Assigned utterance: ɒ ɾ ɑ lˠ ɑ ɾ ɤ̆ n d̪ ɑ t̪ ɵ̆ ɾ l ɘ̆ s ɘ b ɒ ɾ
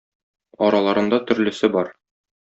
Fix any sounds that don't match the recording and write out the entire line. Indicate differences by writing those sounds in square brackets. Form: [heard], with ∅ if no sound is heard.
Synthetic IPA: ɒ ɾ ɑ lˠ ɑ ɾ ɤ̆ n d̪ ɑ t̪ ɵ̆ ɾ l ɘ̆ s ɘ b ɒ ɾ